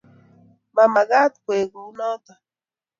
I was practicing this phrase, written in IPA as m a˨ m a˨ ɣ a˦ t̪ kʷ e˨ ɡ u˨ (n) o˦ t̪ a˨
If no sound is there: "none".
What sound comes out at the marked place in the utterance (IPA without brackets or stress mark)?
n